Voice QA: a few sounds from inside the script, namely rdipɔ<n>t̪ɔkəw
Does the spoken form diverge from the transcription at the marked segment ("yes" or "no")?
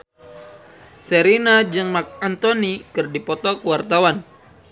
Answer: yes